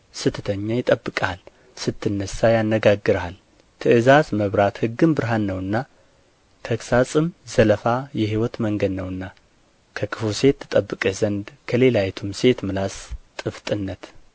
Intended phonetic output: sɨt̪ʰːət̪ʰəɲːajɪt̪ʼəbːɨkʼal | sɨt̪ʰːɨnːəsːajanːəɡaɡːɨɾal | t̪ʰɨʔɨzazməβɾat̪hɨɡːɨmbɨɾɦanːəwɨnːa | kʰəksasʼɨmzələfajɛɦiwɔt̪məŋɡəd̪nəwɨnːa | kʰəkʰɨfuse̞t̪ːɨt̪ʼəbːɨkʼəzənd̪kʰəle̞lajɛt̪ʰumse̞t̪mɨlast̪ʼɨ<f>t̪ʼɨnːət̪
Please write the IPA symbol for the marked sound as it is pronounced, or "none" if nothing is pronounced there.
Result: f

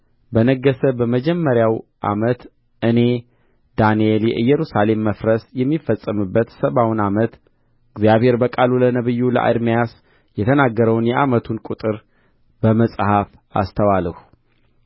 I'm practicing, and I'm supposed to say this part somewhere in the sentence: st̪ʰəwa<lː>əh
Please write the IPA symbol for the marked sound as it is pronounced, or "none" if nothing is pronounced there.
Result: l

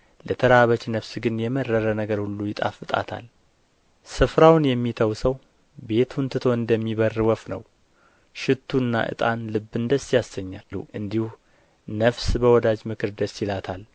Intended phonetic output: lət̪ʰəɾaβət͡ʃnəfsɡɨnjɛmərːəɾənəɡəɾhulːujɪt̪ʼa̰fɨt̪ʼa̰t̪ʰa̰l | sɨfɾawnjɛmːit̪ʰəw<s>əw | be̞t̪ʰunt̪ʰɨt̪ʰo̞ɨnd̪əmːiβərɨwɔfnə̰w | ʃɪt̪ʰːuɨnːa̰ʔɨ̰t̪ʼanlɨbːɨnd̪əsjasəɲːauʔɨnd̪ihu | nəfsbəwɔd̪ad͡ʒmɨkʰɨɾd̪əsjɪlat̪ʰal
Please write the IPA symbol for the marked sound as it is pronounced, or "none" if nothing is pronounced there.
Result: s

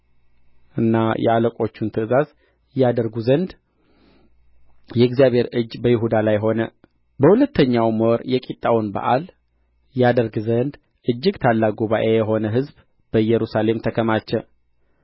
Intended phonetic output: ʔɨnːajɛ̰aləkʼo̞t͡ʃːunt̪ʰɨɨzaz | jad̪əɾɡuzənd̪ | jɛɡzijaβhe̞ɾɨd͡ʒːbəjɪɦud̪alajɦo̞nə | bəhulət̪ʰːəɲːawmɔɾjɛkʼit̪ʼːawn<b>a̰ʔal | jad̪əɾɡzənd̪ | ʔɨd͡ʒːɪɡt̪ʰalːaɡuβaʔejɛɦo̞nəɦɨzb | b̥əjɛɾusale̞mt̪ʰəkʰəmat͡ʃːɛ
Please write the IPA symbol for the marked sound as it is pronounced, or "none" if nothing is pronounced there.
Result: b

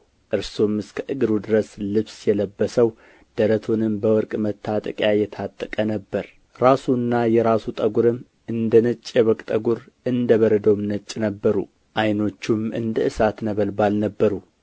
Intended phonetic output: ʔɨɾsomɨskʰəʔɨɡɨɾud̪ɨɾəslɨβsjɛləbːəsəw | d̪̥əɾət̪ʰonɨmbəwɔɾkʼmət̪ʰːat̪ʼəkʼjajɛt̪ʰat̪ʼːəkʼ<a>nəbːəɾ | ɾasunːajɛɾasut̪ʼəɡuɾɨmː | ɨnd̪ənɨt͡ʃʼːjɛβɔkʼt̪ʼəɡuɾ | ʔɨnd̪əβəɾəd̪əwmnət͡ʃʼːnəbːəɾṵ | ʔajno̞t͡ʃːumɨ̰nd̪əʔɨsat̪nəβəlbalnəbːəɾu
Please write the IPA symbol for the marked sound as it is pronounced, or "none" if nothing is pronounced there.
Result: ə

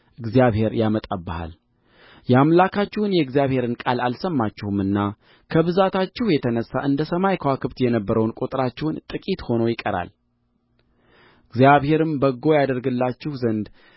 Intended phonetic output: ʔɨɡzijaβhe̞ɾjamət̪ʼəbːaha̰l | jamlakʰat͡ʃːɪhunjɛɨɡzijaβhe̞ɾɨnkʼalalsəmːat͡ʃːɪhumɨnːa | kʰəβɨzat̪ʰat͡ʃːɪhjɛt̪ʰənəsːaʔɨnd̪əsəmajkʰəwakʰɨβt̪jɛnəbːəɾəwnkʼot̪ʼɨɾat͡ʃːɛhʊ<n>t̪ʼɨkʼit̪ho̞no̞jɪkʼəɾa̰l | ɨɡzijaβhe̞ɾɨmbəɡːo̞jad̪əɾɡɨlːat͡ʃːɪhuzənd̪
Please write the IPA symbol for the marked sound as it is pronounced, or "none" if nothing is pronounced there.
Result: n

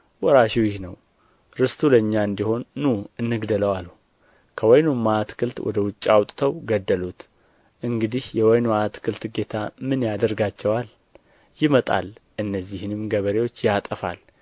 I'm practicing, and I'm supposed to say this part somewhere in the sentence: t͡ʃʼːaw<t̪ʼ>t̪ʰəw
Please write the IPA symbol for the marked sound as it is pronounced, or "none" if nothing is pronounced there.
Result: t̪ʼ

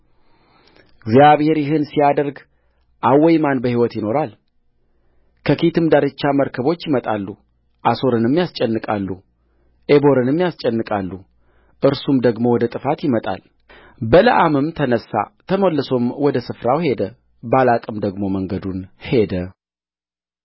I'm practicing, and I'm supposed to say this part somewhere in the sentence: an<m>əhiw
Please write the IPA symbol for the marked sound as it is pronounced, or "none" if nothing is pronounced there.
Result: b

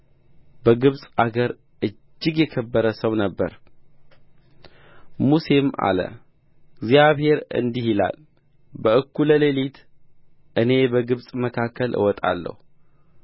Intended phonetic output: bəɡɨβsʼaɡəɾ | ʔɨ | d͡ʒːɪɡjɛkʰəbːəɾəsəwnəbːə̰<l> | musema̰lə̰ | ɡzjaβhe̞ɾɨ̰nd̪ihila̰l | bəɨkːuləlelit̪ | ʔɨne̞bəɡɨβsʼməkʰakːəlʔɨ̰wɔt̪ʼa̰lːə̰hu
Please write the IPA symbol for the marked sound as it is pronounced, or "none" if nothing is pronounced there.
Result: ɾ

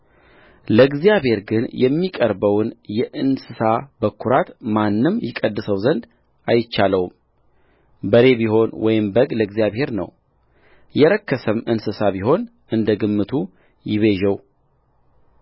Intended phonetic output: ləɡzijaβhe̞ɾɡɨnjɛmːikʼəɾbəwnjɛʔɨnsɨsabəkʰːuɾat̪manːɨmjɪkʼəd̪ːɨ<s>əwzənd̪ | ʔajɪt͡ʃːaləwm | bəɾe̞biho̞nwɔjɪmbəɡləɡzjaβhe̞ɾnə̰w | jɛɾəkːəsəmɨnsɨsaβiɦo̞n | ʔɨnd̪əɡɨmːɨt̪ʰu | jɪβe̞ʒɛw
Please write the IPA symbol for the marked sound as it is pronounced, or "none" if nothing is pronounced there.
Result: s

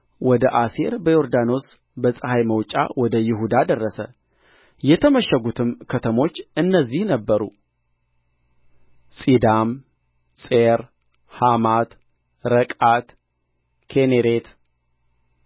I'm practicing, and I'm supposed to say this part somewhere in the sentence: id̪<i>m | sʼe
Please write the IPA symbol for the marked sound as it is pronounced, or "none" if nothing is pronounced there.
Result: a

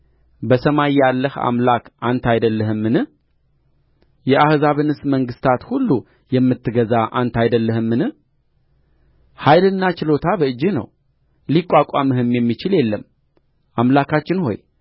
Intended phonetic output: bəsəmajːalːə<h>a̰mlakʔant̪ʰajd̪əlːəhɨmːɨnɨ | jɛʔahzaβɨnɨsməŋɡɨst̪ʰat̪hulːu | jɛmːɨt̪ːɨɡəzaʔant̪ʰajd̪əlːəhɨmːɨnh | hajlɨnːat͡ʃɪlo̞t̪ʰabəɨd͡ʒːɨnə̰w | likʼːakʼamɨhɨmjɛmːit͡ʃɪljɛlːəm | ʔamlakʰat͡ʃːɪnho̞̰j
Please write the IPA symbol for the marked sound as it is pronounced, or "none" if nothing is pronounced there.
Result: h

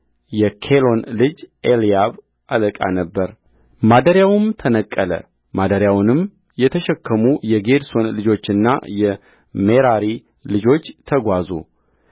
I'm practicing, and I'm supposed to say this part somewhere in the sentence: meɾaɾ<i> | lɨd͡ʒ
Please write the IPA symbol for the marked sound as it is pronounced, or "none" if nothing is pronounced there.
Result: i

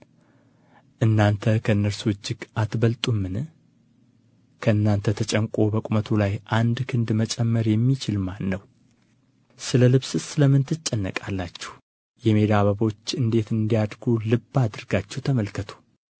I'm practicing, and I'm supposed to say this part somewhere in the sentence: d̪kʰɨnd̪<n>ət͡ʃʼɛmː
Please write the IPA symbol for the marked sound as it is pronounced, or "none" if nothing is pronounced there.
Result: m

